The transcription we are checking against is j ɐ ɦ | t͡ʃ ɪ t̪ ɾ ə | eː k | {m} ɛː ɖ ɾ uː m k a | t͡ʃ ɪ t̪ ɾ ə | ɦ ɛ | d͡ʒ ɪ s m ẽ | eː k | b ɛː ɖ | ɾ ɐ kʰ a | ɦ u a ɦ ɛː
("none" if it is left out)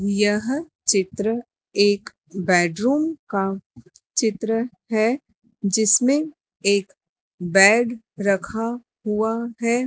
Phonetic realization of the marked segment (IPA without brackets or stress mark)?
b